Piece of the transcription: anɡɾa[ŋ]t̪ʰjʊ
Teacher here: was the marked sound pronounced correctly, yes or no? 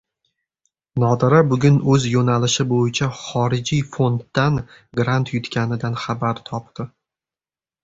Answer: no